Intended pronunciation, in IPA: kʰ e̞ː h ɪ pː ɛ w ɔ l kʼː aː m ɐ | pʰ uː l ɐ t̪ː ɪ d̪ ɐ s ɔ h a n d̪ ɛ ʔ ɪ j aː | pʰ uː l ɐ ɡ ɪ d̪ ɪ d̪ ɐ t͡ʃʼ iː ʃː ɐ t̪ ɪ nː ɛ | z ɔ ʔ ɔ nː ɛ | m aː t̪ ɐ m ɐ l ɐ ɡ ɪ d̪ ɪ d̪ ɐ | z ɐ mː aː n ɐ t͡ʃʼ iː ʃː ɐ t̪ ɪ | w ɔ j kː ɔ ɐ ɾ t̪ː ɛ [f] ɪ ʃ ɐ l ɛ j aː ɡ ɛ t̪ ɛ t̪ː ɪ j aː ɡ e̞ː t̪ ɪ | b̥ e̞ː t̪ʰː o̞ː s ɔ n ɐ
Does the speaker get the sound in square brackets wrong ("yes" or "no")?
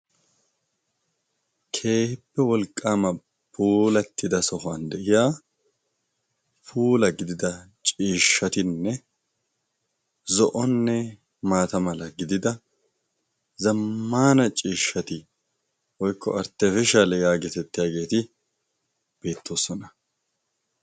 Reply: no